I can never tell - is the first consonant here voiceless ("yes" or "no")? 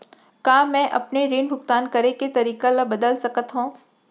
yes